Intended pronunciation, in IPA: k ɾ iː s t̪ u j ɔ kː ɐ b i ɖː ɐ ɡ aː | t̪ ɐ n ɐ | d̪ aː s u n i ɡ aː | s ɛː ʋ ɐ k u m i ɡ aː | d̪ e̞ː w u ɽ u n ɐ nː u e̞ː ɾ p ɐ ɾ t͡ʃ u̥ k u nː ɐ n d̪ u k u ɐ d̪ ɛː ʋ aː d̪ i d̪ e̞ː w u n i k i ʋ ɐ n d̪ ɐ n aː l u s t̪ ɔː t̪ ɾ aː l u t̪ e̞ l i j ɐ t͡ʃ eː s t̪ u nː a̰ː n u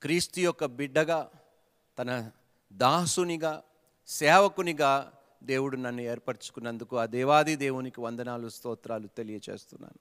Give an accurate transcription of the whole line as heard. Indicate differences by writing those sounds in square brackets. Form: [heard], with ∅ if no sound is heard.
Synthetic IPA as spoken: k ɾ iː s t̪ u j ɔ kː ɐ b i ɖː ɐ ɡ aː | t̪ ɐ n ɐ | d̪ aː s u n i ɡ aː | s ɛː ʋ ɐ k u [n] i ɡ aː | d̪ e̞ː w u ɽ u n ɐ nː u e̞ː ɾ p ɐ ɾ t͡ʃ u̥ k u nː ɐ n d̪ u k u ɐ d̪ ɛː ʋ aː d̪ i d̪ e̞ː w u n i k i ʋ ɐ n d̪ ɐ n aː l u s t̪ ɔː t̪ ɾ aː l u t̪ e̞ l i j ɐ t͡ʃ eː s t̪ u nː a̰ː n u